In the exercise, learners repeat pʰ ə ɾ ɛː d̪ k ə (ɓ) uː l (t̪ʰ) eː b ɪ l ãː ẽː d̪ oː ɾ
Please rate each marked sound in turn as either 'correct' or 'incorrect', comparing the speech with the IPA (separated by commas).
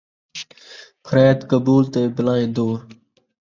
incorrect, incorrect